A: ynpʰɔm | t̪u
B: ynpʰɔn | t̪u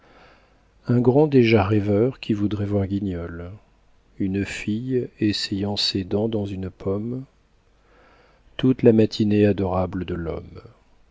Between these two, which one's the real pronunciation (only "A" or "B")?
A